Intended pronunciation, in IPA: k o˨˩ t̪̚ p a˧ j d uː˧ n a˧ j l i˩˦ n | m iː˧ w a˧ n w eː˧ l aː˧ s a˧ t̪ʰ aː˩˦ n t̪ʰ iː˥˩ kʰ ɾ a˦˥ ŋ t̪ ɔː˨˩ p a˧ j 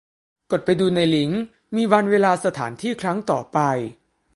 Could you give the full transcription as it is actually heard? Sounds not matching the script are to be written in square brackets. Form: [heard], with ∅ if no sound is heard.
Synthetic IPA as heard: k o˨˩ t̪̚ p a˧ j d uː˧ n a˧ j l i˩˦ [ŋ] | m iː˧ w a˧ n w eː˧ l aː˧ s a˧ t̪ʰ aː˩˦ n t̪ʰ iː˥˩ kʰ ɾ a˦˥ ŋ t̪ ɔː˨˩ p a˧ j

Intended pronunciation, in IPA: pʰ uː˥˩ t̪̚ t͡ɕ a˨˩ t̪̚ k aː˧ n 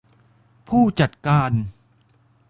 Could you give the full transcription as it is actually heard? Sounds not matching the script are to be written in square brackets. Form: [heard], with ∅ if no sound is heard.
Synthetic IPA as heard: pʰ uː˥˩ [∅] t͡ɕ a˨˩ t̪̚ k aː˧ n

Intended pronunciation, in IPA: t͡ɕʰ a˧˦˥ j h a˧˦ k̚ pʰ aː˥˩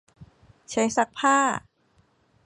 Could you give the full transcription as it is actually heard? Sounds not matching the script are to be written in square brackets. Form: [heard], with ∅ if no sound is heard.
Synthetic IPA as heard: t͡ɕʰ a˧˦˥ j [s] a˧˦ k̚ pʰ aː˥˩

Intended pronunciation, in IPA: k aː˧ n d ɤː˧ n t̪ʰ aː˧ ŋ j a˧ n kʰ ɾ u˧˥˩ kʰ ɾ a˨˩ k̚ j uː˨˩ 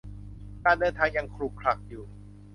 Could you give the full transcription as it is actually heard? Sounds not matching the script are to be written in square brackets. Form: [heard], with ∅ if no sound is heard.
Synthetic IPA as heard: k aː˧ n d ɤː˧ n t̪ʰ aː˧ ŋ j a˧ [ŋ] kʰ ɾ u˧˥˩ kʰ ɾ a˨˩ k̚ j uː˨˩

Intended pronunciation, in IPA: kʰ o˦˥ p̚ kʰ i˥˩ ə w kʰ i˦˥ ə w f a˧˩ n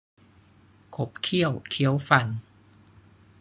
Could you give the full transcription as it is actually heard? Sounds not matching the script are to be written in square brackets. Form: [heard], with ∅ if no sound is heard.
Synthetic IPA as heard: kʰ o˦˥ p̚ kʰ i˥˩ ə w kʰ i˦˥ ə w f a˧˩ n

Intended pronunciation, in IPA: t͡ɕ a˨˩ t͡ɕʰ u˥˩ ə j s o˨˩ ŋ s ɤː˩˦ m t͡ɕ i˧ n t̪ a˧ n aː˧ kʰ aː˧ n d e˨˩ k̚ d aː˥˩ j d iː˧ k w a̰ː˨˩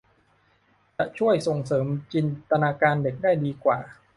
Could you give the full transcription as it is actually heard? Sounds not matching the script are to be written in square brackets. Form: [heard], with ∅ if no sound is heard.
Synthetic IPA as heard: t͡ɕ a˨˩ t͡ɕʰ u˥˩ ə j s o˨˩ ŋ s ɤː˩˦ m t͡ɕ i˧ n t̪ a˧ n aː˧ [k] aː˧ n d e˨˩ k̚ d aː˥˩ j d iː˧ k w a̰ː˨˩

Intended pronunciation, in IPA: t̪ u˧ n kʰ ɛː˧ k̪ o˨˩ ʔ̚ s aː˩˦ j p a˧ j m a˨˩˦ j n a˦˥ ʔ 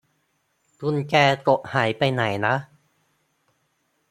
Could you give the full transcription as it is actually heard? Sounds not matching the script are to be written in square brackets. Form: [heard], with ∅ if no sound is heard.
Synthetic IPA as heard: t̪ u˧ n [k] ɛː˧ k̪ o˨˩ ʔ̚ [h] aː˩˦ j p a˧ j [n] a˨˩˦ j n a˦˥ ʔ

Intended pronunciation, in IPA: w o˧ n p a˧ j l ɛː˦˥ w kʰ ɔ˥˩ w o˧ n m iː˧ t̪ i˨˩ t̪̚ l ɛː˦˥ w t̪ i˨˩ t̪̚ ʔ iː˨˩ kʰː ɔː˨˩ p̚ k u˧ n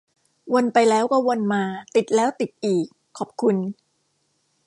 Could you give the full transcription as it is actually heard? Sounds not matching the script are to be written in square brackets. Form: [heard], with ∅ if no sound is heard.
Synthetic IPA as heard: w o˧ n p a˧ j l ɛː˦˥ w [k] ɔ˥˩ w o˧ n m [aː˧] t̪ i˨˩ t̪̚ l ɛː˦˥ w t̪ i˨˩ t̪̚ ʔ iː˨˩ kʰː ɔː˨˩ p̚ [kʰ] u˧ n

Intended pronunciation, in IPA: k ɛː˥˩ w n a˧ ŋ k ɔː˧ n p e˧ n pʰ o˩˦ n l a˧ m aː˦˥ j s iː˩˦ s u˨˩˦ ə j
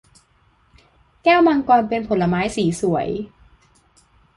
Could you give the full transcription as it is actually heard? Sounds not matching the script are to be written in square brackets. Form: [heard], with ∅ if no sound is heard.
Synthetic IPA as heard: k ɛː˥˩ w [m] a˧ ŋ k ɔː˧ n p e˧ n pʰ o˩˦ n l a˧ m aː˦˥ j s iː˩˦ s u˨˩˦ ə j

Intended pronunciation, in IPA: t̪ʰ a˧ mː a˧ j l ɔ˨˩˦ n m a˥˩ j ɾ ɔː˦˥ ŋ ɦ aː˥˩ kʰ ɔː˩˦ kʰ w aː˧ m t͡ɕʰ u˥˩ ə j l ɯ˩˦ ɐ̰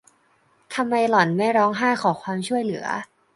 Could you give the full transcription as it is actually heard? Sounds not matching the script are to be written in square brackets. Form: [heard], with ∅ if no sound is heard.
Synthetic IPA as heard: t̪ʰ a˧ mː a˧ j l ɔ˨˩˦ n m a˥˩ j ɾ ɔː˦˥ ŋ ɦ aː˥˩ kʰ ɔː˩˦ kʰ w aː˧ m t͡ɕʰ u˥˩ ə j l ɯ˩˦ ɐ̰

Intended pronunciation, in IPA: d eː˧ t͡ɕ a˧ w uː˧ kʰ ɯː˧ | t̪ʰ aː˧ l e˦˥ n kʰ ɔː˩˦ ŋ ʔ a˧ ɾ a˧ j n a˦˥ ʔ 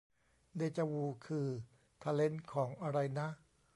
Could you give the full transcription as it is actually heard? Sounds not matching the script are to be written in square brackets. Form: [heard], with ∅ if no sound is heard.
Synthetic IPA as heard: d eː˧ t͡ɕ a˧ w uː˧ kʰ ɯː˧ | t̪ʰ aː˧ l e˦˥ n kʰ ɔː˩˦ ŋ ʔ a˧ ɾ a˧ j n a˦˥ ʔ

